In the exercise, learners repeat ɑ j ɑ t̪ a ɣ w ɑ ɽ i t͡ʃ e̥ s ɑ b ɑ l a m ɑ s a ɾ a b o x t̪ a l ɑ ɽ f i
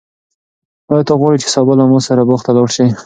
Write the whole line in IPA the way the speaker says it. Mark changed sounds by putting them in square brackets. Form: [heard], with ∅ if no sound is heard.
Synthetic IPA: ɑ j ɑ t̪ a ɣ w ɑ ɽ i t͡ʃ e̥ s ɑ b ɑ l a m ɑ s a ɾ a b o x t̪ a l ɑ ɽ [ʃ] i

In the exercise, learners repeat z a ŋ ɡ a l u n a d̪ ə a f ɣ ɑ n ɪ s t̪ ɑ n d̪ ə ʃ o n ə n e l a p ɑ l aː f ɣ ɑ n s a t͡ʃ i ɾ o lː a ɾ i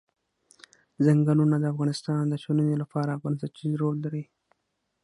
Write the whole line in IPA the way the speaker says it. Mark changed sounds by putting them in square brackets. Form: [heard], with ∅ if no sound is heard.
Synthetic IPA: z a ŋ ɡ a l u n a d̪ ə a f ɣ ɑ n ɪ s t̪ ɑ n d̪ ə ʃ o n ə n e l a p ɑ [ɾ] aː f ɣ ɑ n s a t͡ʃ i ɾ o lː a ɾ i

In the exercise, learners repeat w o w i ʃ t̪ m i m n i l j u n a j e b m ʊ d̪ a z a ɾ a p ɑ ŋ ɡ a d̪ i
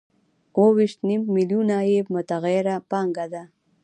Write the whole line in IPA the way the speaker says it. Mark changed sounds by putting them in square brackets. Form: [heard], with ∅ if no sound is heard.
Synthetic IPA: w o w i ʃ t̪ [n] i m [m] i l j u n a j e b m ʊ [t̪] a [ɣ] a ɾ a p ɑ ŋ ɡ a d̪ [a]

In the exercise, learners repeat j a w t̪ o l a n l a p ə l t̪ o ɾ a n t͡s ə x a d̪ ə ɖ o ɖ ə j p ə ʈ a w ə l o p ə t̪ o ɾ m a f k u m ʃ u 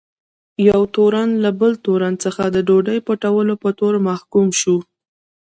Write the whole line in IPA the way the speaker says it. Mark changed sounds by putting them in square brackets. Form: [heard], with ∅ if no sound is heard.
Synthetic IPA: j a w t̪ o [ɾ] a n l a [b] ə l t̪ o ɾ a n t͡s ə x a d̪ ə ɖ o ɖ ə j p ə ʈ a w ə l o p ə t̪ o ɾ m a [h] k u m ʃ u

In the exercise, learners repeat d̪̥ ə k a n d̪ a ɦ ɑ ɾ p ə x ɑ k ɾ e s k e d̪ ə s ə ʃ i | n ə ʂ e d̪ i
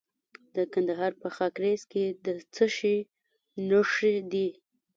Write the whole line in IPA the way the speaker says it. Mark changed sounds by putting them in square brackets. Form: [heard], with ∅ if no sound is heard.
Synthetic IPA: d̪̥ ə k a n d̪ a ɦ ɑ ɾ p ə x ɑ k ɾ e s k e d̪ ə [t͡s] ə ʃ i | n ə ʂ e d̪ i

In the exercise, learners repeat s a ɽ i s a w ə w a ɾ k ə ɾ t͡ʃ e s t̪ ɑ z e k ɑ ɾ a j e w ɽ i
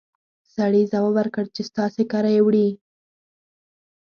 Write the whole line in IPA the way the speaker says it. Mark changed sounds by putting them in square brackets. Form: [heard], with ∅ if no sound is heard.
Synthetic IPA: s a ɽ i [z] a w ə w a ɾ k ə [ɽ] t͡ʃ e s t̪ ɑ [s] e k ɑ ɾ a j e w ɽ i

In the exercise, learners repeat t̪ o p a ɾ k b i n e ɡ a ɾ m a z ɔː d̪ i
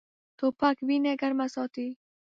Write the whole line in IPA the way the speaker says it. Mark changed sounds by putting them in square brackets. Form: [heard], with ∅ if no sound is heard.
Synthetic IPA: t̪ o p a [∅] k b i n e ɡ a ɾ m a [s] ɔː [t̪] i

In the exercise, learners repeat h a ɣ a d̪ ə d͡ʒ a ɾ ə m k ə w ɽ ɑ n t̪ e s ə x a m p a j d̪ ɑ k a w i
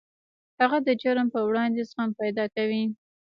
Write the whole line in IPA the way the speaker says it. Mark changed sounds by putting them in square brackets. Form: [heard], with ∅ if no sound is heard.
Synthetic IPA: h a ɣ a d̪ ə d͡ʒ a ɾ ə m [p] ə w ɽ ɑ n [d̪] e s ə x a m p a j d̪ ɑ k a w i

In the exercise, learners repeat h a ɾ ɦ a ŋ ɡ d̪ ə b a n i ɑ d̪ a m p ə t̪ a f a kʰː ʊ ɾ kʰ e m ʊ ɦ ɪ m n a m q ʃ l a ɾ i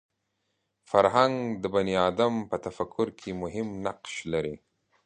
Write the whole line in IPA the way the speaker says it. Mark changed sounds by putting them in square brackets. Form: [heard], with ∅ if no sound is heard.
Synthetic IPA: [f] a ɾ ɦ a ŋ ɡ d̪ ə b a n i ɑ d̪ a m p ə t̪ a f a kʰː ʊ ɾ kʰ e m ʊ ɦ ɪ m n a [∅] q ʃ l a ɾ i

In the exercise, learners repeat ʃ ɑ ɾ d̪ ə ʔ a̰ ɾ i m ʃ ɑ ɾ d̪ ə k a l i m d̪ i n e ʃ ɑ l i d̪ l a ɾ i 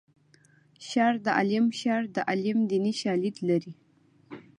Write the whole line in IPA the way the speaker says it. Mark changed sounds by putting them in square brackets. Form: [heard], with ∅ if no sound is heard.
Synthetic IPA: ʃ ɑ ɾ d̪ ə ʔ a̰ [l] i m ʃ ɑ ɾ d̪ ə [ʔ] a l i m d̪ i n [i] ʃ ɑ l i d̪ l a ɾ i

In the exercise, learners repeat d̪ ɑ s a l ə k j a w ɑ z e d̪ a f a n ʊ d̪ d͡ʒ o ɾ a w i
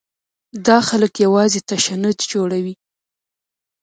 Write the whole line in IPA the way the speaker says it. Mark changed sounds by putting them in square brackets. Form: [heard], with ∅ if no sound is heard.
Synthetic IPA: d̪ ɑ [x] a l ə k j a w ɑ z e [t̪] a [ʃ] a n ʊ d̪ d͡ʒ o [ɽ] a w i

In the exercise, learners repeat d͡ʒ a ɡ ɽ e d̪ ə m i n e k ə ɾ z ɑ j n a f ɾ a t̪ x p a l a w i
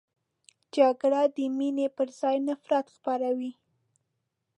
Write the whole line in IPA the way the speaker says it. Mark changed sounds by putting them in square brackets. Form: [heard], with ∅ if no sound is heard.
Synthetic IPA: d͡ʒ a ɡ ɽ [a] d̪ ə m i n e [p] ə ɾ z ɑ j n a f ɾ a t̪ x p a [ɾ] a w i

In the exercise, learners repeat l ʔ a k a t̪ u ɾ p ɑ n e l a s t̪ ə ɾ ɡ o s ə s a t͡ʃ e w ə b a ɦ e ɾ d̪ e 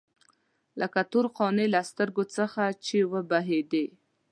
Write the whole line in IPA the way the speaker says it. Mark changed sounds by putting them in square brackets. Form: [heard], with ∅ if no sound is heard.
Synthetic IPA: l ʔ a k a t̪ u ɾ [q] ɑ n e l a s t̪ ə ɾ ɡ o [t͡s] ə [x] a t͡ʃ e w ə b a ɦ e [∅] d̪ e

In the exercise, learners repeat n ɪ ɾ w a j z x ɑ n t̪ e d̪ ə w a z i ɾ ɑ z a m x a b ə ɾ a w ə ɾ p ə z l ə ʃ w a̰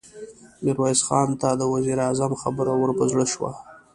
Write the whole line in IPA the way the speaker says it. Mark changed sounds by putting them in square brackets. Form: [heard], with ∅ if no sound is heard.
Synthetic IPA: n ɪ ɾ w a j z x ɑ n t̪ [a] d̪ ə w a z i ɾ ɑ z a m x a b ə ɾ a w ə ɾ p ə z [ɽ] ə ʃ w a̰

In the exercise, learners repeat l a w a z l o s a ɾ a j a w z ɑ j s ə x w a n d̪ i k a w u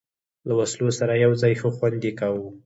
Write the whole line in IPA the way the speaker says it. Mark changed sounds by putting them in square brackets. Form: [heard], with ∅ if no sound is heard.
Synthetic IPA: l a w a [s] l o s a ɾ a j a w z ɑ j [x] ə x w a n d̪ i k a w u

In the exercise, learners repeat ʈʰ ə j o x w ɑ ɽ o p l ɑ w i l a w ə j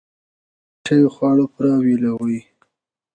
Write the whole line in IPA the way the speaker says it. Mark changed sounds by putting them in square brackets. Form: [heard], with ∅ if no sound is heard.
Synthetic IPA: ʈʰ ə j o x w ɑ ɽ o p [ɾ] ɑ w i l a w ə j

